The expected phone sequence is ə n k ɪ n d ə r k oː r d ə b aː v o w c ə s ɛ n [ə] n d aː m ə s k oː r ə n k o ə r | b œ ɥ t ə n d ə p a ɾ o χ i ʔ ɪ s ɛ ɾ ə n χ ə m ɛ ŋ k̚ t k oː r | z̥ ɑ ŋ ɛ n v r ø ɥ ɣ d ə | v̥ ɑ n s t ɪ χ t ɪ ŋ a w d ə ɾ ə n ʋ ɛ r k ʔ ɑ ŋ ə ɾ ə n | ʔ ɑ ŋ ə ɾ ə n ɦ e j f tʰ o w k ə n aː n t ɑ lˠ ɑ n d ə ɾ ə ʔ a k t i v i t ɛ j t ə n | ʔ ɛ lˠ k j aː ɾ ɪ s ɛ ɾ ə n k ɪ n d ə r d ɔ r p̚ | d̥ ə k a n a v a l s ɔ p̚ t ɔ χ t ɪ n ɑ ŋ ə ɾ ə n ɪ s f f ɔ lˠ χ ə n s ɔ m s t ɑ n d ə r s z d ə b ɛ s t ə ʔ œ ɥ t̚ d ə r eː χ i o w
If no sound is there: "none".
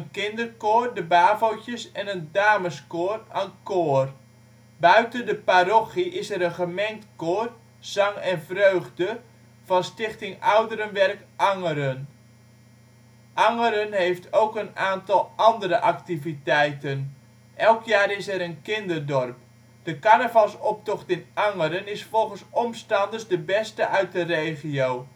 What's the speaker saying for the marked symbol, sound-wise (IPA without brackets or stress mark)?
ə